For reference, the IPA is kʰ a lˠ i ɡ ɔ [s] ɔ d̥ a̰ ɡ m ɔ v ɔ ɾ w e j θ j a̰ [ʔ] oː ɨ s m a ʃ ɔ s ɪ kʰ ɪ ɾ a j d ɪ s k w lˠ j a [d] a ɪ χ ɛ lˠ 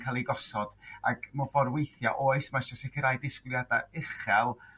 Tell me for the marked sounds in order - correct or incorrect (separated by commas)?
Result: correct, correct, correct